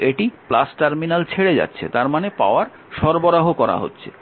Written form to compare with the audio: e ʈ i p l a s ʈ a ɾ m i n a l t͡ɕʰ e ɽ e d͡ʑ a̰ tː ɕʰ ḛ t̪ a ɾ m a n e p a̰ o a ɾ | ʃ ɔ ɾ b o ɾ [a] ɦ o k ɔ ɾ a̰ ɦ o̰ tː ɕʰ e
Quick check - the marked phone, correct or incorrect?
correct